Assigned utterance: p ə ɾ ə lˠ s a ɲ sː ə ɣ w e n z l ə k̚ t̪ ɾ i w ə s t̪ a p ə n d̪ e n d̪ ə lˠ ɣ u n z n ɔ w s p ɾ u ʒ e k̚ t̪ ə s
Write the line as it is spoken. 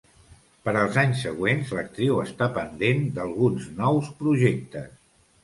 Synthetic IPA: p ə ɾ ə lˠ z a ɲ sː ə ɣ w e n z l ə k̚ t̪ ɾ i w ə s t̪ a p ə n d̪ e n d̪ ə lˠ ɣ u n z n ɔ w s p ɾ u ʒ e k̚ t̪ ə s